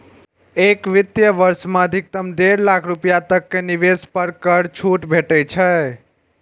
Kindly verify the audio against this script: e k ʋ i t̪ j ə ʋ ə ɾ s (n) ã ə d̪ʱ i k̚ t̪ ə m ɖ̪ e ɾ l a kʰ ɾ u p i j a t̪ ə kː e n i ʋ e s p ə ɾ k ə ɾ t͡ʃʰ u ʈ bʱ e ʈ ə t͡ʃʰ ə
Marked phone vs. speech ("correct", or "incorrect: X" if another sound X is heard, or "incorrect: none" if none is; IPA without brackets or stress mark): incorrect: m